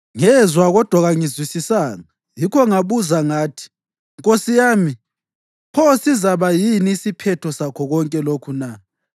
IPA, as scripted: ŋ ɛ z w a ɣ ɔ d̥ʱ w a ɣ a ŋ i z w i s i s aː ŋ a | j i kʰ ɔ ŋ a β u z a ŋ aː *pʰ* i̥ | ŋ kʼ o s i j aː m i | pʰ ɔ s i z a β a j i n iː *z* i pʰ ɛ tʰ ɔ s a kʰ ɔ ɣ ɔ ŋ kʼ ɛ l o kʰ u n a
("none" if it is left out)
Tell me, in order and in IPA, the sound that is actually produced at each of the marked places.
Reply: tʰ, s

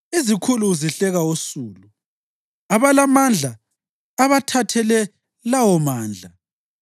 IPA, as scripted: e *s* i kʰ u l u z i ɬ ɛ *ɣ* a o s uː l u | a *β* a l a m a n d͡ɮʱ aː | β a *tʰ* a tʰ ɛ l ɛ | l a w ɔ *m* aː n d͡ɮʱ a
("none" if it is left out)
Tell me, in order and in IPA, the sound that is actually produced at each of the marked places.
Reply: z, ɣ, β, tʰ, m

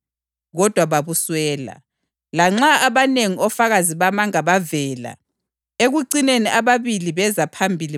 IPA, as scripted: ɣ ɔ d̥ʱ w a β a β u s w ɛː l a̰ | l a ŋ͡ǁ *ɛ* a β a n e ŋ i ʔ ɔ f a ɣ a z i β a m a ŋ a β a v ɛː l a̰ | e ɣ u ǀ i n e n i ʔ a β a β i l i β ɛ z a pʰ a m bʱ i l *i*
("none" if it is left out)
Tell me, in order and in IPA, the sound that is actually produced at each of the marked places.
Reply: a, i

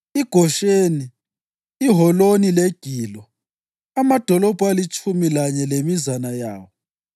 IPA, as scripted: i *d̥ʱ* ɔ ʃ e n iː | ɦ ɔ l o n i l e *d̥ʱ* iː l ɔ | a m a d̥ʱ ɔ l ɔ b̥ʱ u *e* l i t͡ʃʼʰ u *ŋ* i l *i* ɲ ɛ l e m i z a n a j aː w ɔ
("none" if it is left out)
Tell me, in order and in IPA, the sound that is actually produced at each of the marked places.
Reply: ɡ̥ʱ, ɡ̥ʱ, a, m, a

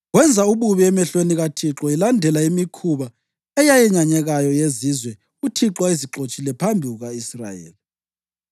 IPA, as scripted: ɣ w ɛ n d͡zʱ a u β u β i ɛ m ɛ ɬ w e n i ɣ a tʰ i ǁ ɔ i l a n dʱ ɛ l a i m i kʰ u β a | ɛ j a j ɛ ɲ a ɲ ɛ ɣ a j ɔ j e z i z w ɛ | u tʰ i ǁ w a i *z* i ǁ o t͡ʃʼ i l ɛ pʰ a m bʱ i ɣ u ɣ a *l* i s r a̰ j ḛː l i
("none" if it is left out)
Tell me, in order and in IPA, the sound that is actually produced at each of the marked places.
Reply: z, none

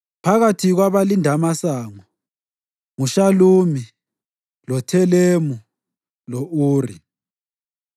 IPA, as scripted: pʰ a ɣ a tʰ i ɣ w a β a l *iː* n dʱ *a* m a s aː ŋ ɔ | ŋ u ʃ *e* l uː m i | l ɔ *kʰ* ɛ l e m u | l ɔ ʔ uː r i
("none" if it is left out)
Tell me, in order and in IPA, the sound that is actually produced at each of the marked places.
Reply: i, a, a, tʰ

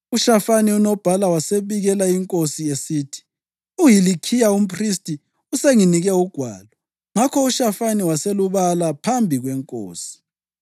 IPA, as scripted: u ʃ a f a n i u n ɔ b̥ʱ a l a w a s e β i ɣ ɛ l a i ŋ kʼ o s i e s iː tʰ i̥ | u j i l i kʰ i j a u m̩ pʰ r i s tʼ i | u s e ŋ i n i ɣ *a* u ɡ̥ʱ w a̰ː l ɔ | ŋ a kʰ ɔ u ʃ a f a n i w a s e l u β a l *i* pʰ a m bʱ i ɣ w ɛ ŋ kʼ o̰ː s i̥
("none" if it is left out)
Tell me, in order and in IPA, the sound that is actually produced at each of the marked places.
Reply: ɛ, a

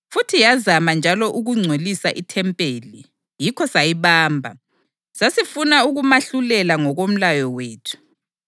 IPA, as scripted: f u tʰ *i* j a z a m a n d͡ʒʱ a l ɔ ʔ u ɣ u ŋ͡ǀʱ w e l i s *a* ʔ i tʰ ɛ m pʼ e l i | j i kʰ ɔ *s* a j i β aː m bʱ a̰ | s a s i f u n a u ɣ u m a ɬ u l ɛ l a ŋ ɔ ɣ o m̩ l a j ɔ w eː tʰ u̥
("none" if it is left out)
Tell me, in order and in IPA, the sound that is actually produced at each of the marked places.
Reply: i, a, s

